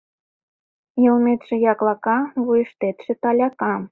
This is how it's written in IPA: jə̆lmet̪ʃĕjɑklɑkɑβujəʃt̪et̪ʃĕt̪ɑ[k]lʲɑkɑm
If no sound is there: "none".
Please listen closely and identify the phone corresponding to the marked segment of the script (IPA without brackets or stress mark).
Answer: none